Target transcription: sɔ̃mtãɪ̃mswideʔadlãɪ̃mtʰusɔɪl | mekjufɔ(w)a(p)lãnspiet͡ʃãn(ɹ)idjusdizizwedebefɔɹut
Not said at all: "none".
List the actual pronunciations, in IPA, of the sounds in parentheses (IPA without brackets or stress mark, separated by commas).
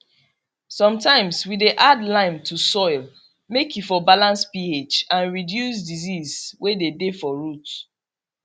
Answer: b, none, ɹ